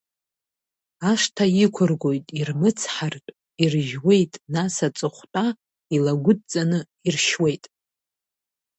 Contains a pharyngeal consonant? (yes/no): yes